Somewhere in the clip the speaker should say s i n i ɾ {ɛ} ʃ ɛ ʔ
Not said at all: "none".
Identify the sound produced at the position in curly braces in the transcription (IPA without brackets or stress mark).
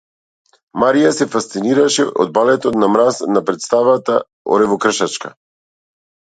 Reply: a